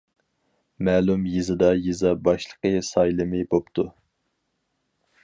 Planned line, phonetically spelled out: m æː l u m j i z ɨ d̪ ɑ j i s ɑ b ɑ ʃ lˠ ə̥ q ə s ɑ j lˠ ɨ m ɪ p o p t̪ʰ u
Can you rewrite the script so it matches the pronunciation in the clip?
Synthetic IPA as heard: m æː l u m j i z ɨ d̪ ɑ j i z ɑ b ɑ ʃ lˠ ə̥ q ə s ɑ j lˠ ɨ m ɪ b o p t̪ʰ u